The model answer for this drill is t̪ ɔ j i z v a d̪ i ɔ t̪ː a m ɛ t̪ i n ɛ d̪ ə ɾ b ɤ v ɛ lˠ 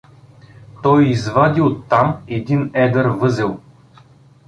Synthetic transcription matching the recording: t̪ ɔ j i z v a d̪ i o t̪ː a m ɛ d̪ i n ɛ d̪ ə ɾ v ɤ z ɛ lˠ